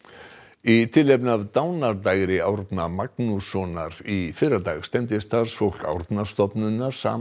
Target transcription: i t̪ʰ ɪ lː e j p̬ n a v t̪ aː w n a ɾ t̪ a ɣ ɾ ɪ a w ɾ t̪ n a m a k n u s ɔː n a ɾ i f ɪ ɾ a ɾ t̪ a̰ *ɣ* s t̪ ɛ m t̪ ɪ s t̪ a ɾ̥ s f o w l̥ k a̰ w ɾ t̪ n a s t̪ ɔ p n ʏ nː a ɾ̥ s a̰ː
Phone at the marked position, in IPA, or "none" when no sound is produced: ɣ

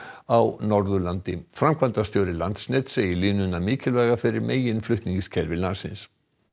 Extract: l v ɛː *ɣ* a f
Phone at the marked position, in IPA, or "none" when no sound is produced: ɣ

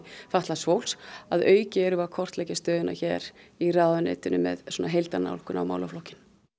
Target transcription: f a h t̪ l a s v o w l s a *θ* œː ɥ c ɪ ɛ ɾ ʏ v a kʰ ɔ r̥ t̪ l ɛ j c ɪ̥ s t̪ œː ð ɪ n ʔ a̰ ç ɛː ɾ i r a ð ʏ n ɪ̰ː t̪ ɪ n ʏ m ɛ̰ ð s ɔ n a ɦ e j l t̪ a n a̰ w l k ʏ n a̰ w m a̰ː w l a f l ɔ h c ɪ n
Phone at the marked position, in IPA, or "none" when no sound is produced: ð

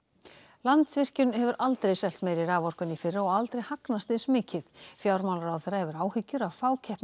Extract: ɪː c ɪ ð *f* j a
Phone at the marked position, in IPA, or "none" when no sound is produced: f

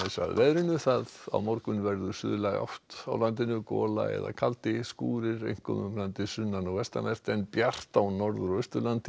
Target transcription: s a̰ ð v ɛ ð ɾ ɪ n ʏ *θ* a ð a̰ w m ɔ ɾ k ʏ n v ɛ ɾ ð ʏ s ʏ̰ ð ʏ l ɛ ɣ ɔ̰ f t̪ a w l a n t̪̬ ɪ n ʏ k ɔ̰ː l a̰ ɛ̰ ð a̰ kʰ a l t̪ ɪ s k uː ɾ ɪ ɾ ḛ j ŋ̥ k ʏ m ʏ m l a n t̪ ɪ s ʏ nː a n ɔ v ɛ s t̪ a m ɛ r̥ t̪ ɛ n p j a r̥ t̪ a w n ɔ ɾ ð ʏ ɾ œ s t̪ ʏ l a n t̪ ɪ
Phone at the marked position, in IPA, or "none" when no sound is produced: θ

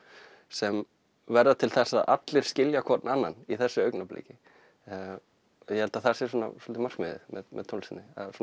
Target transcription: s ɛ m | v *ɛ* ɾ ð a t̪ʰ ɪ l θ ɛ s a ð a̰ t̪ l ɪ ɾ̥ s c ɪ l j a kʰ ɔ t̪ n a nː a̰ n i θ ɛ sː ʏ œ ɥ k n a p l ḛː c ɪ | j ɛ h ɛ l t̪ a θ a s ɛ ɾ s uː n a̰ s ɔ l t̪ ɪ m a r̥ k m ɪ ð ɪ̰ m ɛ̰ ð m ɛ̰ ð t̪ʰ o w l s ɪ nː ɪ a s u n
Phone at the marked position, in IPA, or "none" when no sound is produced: ɛ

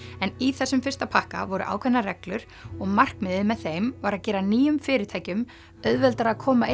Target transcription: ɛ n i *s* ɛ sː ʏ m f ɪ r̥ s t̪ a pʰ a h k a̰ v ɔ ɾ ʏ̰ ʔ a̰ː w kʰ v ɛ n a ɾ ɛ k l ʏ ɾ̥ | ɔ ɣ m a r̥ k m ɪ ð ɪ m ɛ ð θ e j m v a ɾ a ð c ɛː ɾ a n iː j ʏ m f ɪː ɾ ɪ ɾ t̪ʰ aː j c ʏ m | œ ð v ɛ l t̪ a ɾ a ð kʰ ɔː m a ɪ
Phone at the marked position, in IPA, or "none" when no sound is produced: θ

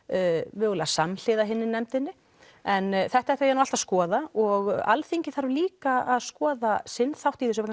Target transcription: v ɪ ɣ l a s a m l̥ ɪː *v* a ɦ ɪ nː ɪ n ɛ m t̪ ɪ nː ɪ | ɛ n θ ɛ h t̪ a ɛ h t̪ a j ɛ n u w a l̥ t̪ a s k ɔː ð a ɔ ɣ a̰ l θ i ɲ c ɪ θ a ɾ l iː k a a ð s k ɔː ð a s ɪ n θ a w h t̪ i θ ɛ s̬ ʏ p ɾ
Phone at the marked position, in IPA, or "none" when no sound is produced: ð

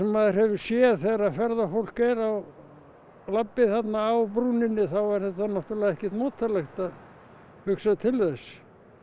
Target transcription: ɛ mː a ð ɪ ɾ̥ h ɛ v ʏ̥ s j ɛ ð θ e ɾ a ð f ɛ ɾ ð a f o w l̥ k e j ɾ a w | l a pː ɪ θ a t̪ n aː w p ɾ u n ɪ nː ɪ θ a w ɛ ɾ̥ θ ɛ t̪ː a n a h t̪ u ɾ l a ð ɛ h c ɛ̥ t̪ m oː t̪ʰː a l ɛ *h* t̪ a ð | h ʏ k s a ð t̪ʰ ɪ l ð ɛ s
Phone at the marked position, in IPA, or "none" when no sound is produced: x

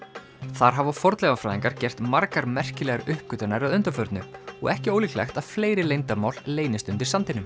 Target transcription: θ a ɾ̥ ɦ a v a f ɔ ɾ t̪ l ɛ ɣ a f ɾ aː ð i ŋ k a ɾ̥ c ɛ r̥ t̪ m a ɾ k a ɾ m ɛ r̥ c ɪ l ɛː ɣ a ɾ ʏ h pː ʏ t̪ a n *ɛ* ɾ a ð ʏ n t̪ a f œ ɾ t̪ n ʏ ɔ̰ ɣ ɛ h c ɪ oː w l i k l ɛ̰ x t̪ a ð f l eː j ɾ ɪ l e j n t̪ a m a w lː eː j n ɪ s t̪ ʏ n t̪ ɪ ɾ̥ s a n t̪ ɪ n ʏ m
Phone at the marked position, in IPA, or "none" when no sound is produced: a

